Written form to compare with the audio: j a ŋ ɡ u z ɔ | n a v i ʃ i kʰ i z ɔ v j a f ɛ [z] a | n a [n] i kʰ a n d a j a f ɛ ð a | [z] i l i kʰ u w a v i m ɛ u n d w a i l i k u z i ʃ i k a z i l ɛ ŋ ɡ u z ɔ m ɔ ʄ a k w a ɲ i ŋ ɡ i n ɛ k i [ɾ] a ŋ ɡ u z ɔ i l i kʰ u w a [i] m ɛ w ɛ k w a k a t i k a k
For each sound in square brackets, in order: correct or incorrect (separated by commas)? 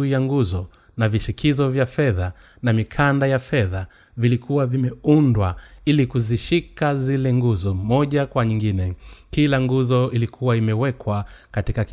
incorrect, incorrect, incorrect, incorrect, correct